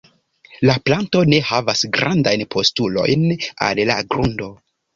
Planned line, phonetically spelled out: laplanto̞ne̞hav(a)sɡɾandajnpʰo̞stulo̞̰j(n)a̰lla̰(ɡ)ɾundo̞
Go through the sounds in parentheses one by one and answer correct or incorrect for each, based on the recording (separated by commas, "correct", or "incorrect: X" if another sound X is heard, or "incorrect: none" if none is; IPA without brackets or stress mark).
correct, correct, correct